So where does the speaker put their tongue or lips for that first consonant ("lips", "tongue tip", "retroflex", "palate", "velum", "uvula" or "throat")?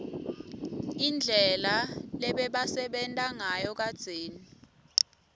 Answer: tongue tip